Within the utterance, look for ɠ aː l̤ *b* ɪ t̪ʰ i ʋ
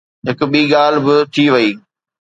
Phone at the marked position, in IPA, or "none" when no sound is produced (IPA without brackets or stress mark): b